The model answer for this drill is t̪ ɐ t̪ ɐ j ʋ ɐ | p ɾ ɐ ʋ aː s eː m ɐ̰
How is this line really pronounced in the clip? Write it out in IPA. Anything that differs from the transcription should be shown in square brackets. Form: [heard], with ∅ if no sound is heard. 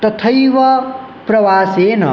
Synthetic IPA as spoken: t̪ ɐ [t̪ʰ] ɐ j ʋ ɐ | p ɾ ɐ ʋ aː s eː [n] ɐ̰